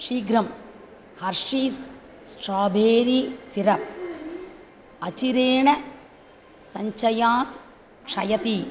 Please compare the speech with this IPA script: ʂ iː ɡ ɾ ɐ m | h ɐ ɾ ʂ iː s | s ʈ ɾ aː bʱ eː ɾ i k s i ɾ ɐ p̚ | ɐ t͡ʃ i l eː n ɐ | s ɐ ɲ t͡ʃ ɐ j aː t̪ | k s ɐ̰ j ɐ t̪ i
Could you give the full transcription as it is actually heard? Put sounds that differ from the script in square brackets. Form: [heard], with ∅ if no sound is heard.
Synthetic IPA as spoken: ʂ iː ɡ ɾ ɐ m | h ɐ ɾ ʂ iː s | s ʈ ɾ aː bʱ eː ɾ i [∅] s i ɾ ɐ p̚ | ɐ t͡ʃ i [ɾ] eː [ɳ] ɐ | s ɐ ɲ t͡ʃ ɐ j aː t̪ | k [ʂ] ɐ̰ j ɐ t̪ i